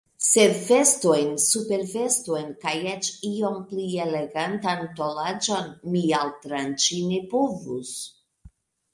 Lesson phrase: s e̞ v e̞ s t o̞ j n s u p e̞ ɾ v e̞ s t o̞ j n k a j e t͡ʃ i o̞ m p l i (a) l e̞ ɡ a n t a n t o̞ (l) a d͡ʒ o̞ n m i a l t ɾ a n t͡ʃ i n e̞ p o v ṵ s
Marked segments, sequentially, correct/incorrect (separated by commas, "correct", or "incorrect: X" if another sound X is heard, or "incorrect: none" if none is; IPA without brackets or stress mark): incorrect: e, correct